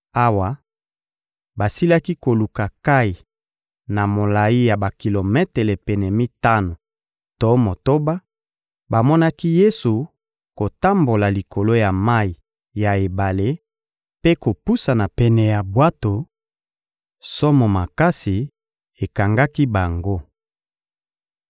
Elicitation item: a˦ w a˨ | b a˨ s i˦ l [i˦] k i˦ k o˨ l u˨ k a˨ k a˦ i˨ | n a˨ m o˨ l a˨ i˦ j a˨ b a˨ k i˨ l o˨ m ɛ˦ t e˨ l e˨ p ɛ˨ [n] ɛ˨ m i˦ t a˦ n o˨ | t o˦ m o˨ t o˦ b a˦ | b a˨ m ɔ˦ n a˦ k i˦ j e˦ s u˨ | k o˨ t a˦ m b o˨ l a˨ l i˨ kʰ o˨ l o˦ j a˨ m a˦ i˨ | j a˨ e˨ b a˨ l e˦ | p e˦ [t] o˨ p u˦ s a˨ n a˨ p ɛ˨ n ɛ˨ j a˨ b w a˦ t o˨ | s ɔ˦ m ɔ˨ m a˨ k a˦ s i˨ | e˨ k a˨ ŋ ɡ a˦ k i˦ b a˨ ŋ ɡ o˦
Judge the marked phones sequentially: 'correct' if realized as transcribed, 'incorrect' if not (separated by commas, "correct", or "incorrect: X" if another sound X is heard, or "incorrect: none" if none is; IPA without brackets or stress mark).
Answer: incorrect: a˦, correct, incorrect: k